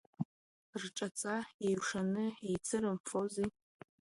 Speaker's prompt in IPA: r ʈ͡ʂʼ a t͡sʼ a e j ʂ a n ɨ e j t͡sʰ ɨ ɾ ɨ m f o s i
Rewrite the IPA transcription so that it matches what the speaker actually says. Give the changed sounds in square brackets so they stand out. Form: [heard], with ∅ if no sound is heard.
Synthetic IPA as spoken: r ʈ͡ʂʼ a t͡sʼ a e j ʂ a n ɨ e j t͡sʰ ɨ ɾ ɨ m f o [z] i